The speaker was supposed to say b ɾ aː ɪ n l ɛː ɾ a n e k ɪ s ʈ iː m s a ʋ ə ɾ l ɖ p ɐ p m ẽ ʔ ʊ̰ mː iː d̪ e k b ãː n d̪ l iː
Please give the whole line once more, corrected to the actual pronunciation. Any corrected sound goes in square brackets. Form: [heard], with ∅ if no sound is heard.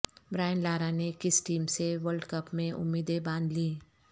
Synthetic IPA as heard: b ɾ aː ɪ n l [aː] ɾ a n e k ɪ s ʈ iː m s [e] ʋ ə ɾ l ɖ [k] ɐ p m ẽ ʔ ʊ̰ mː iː d̪ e [∅] b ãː n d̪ l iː